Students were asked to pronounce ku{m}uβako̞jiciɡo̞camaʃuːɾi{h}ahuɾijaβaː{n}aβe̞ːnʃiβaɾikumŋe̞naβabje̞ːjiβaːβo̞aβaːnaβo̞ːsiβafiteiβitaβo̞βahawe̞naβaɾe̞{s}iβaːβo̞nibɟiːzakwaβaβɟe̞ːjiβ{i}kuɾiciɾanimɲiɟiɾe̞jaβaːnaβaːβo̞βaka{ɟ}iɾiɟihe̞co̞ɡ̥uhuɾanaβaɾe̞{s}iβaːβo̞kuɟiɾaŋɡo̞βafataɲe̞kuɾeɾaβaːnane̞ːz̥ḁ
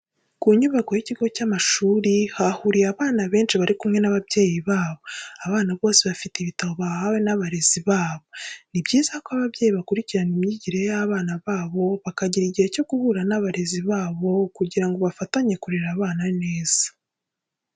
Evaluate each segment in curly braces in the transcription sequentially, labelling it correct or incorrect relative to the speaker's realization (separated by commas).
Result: incorrect, correct, correct, incorrect, incorrect, correct, incorrect